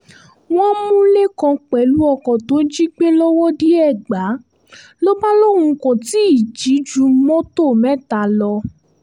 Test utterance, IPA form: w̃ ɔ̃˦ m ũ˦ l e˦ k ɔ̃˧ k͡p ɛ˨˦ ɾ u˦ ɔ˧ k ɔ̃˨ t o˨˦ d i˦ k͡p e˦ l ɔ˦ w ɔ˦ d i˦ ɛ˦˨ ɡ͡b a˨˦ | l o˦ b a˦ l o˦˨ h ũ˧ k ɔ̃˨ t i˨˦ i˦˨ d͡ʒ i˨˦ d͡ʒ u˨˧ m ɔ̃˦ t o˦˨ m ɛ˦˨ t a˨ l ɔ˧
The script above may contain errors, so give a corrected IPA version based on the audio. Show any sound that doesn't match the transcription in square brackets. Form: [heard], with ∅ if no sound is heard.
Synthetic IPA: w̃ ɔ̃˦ m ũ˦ l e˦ k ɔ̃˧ k͡p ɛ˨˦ [l] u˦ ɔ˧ k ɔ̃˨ t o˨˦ [d͡ʒ] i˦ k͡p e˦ l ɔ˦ w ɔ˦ d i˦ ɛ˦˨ ɡ͡b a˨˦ | l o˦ b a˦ l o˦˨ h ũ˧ k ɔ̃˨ t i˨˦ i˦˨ d͡ʒ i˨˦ d͡ʒ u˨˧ m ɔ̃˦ t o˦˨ m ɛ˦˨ t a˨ l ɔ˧